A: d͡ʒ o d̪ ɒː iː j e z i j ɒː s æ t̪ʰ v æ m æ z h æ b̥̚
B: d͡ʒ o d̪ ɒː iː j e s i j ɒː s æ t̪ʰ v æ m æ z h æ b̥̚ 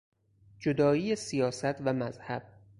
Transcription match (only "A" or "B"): B